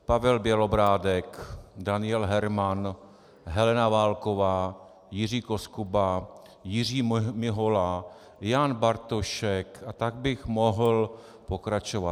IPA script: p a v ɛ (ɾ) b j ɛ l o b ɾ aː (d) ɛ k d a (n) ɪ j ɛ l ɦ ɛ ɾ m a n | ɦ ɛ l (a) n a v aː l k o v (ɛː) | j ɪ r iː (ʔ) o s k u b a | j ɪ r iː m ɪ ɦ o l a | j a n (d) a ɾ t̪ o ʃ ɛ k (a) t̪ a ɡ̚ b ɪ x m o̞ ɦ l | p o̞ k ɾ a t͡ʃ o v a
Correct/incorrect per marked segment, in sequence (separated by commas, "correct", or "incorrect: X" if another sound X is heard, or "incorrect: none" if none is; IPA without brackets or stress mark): incorrect: l, correct, correct, incorrect: ɛ, incorrect: aː, incorrect: k, incorrect: b, correct